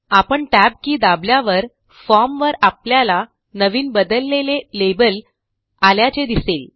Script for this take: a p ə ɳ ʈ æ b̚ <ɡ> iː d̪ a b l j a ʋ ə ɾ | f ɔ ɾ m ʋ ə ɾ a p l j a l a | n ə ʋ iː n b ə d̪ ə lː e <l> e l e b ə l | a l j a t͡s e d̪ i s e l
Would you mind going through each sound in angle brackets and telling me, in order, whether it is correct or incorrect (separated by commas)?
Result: incorrect, correct